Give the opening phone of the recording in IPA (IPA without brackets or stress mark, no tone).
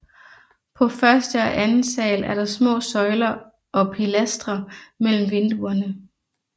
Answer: pʰ